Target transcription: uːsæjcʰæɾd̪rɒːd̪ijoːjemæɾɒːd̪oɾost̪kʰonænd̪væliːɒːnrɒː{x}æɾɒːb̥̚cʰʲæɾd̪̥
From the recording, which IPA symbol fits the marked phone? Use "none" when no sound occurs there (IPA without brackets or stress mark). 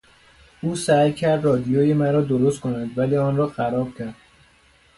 x